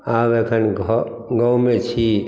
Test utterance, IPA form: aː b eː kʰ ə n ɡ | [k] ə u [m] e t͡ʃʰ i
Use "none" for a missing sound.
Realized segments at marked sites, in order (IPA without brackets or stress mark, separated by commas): ɡ, m